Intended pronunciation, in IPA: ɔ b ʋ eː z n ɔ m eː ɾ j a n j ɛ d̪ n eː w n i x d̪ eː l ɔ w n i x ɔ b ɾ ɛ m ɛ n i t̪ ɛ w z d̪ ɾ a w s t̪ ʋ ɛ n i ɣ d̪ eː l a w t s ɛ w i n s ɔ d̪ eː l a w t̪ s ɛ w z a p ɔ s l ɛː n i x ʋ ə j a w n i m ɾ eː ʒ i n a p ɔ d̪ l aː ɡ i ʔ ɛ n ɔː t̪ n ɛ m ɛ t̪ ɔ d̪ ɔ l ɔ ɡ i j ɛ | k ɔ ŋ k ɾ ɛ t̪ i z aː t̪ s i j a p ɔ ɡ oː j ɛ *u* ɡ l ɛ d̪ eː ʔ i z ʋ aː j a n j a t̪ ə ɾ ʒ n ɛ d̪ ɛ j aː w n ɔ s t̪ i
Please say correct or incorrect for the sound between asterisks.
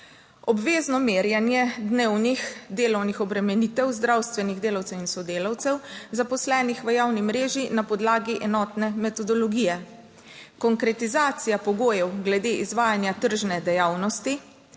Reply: incorrect: w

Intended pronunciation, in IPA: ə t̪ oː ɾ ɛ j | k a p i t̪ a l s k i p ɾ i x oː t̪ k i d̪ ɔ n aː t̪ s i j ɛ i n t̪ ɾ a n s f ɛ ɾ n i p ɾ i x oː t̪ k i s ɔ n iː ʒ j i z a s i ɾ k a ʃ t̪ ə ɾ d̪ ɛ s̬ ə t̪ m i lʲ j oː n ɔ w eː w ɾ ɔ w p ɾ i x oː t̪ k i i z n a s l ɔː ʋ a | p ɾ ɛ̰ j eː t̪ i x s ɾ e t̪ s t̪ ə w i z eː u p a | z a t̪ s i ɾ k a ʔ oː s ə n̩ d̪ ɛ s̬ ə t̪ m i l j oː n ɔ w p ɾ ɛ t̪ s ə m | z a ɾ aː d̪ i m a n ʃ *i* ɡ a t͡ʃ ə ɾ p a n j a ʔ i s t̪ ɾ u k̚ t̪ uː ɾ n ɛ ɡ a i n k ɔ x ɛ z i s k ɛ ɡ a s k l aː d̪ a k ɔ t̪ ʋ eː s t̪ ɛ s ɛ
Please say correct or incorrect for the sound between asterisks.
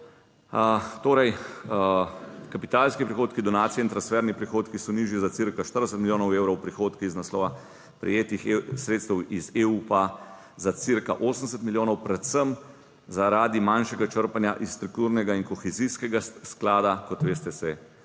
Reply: incorrect: ɛ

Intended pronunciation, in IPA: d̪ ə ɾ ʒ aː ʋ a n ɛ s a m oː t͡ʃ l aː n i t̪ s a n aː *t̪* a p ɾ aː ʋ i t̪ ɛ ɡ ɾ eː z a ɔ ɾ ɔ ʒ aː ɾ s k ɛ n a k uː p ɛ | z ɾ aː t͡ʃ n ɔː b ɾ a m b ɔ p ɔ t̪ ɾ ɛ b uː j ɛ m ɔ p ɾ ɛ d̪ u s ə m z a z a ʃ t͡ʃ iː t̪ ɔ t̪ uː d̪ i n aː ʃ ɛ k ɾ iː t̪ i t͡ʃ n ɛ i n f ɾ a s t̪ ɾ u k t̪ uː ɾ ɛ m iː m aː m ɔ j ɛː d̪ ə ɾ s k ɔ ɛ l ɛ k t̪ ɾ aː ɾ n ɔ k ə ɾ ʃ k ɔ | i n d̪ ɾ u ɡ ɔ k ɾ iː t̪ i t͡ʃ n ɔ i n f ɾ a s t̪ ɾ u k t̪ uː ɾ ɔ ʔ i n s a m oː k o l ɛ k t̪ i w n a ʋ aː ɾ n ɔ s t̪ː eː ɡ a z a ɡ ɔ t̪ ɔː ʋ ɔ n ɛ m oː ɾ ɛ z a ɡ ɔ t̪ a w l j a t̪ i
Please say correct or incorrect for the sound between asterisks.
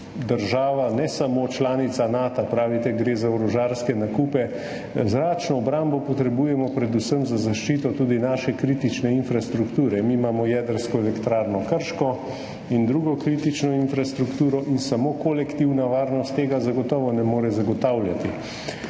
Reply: correct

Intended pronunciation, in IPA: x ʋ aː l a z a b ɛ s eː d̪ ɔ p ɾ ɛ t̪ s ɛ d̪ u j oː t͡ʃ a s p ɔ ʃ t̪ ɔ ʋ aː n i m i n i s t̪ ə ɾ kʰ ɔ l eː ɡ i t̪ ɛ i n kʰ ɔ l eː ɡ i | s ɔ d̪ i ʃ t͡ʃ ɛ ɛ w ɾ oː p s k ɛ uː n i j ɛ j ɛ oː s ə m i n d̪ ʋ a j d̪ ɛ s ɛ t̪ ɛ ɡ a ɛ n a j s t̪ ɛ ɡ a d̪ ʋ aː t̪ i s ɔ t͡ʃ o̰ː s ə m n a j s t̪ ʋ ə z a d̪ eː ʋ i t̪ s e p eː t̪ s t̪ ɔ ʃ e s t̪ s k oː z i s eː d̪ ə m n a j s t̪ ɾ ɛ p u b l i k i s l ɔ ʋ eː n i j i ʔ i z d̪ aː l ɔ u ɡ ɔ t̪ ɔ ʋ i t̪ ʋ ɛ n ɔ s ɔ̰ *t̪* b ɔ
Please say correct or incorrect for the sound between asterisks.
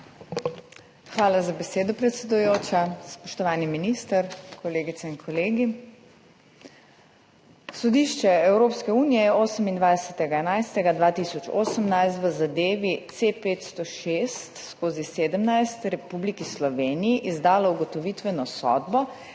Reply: incorrect: d̪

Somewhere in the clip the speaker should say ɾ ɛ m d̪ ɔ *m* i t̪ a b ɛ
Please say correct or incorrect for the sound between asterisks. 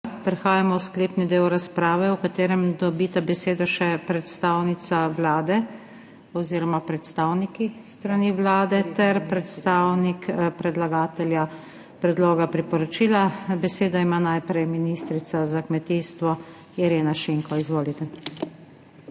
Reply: incorrect: b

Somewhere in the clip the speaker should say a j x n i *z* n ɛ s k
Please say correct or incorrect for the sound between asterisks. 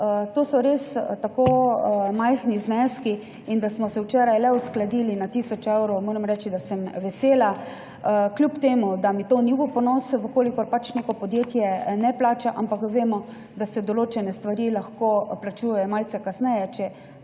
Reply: correct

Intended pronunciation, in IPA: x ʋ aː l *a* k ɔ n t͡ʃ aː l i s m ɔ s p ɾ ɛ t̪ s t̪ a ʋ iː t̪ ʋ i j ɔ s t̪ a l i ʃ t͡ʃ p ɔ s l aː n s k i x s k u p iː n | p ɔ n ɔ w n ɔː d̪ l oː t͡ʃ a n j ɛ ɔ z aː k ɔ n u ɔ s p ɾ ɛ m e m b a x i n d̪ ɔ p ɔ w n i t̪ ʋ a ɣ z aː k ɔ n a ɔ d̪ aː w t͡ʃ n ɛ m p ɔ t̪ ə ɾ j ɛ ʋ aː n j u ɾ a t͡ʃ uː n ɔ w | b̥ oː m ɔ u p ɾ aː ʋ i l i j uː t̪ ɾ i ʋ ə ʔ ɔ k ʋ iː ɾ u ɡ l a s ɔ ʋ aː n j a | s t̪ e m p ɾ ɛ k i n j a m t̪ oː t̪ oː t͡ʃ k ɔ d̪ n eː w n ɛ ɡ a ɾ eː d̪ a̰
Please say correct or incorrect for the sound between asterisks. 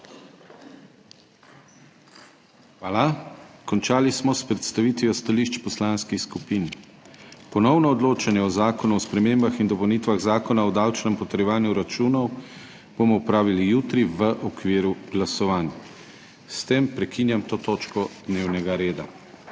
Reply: correct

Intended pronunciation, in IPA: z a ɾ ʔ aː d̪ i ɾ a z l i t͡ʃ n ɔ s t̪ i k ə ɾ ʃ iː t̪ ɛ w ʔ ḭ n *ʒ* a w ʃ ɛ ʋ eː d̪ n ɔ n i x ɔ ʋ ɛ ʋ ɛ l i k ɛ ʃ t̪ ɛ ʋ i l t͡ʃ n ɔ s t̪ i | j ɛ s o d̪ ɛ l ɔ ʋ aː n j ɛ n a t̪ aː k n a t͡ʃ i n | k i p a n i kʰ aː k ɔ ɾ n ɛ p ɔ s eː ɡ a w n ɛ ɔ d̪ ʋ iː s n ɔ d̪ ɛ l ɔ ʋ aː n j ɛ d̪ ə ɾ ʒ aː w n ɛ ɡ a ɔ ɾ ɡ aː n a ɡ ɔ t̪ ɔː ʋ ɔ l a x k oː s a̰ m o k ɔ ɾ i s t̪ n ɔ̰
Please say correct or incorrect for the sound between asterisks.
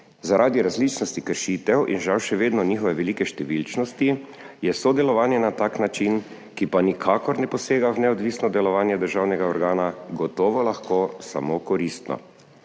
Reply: correct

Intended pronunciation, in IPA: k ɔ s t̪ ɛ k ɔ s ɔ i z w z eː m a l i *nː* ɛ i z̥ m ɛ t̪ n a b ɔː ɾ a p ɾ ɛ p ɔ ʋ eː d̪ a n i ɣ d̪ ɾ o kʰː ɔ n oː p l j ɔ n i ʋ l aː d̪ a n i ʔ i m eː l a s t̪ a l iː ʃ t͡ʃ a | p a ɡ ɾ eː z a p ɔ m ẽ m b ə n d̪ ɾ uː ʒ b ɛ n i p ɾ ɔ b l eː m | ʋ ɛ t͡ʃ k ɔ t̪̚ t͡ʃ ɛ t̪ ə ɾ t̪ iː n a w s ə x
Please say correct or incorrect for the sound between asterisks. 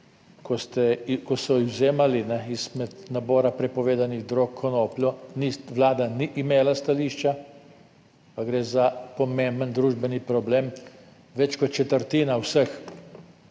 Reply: incorrect: n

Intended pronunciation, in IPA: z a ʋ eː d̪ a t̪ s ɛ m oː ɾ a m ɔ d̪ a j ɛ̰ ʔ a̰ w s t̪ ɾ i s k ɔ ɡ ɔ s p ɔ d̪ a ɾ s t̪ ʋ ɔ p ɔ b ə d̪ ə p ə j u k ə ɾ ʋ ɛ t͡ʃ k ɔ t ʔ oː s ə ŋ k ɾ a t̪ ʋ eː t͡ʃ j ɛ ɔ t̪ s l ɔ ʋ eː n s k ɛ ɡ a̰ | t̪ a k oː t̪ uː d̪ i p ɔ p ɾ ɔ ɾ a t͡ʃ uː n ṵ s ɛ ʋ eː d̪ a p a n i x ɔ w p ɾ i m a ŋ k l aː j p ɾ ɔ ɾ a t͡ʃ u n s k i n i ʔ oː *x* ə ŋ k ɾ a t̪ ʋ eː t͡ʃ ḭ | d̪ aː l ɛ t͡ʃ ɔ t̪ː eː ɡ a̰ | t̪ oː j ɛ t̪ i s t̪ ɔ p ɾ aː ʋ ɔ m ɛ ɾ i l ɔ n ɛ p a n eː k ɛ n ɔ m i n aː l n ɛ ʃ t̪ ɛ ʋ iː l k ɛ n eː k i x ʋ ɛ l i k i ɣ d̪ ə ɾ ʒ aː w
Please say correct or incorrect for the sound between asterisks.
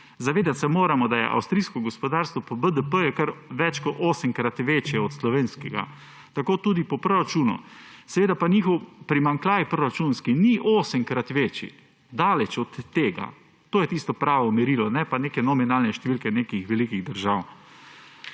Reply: incorrect: s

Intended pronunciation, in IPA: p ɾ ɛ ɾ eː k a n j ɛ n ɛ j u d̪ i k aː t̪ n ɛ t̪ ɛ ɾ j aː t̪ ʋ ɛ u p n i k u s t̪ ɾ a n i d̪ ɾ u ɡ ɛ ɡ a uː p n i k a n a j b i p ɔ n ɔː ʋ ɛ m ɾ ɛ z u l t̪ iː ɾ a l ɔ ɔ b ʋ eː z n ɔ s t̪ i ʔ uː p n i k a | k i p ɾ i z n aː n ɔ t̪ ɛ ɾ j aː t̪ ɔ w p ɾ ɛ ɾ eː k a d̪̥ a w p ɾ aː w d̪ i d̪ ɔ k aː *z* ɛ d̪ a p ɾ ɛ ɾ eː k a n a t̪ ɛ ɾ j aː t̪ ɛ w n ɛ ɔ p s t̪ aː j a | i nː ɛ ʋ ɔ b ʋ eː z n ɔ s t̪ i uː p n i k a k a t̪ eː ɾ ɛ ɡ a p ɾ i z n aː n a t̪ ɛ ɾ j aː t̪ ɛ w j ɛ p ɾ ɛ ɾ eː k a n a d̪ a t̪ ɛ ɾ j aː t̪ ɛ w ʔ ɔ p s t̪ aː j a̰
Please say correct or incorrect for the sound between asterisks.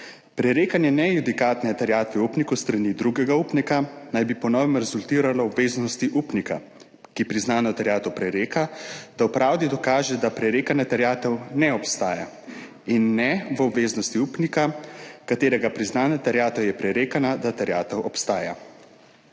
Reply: incorrect: ʒ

